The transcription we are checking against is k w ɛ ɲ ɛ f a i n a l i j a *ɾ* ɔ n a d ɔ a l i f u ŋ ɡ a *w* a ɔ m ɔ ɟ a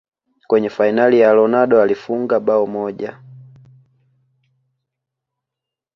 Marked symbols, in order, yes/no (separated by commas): no, no